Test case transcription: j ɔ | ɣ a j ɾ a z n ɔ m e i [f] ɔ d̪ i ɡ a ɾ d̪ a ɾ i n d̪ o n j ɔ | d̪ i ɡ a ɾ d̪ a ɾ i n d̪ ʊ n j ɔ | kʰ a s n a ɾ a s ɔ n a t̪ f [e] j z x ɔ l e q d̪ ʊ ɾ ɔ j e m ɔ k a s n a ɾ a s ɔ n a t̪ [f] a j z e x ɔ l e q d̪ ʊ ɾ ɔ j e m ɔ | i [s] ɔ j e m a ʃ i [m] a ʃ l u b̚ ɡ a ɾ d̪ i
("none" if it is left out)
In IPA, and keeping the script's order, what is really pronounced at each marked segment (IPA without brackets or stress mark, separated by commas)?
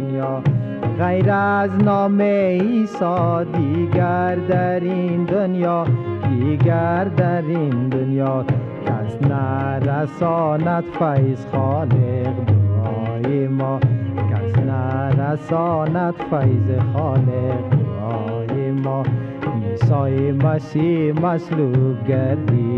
s, a, f, s, m